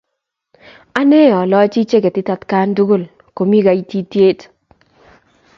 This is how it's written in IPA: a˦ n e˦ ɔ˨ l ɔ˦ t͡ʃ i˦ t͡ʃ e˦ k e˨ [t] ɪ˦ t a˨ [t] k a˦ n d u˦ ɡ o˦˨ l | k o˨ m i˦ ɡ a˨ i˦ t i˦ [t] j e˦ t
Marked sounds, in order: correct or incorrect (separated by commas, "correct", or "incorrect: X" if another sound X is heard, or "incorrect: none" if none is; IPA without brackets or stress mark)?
correct, correct, correct